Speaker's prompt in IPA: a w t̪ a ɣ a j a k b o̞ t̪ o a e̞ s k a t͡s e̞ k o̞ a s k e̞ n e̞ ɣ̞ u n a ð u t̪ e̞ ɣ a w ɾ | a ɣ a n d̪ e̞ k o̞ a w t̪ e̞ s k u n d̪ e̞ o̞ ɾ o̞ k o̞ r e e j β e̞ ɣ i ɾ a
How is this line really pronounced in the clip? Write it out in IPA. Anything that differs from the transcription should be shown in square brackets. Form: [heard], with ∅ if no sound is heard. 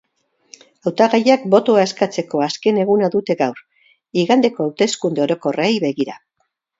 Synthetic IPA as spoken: a w t̪ a ɣ a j a k b o̞ t̪ o a e̞ s k a t͡s e̞ k o̞ a s k e̞ n e̞ ɣ̞ u n a ð u t̪ e̞ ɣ a w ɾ | [i] ɣ a n d̪ e̞ k o̞ a w t̪ e̞ s k u n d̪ e̞ o̞ ɾ o̞ k o̞ r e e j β e̞ ɣ i ɾ a